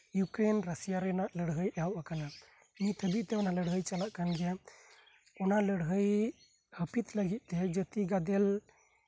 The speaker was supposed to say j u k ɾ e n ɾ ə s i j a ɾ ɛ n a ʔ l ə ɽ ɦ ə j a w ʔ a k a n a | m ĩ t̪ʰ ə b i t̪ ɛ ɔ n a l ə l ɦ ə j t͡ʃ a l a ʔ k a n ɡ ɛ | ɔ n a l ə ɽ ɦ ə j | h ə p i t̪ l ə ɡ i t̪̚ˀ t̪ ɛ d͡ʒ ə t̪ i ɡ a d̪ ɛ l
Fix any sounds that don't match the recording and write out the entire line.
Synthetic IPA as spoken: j u k ɾ e n ɾ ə s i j a ɾ ɛ n a ʔ l ə ɽ ɦ ə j a w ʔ a k a n a | m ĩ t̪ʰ ə b i t̪ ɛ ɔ n a l ə ɽ ɦ ə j t͡ʃ a l a ʔ k a n ɡ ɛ | ɔ n a l ə ɽ ɦ ə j | h ə p i t̪ l ə ɡ i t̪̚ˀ t̪ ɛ d͡ʒ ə t̪ i ɡ a d̪ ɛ l